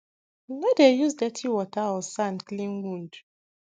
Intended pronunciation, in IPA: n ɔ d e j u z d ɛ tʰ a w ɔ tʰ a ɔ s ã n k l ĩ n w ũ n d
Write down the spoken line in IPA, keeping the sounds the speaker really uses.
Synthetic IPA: n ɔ d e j u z d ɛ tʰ i w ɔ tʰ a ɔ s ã n k l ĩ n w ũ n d